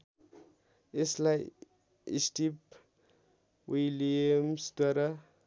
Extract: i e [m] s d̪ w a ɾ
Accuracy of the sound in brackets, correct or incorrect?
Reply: correct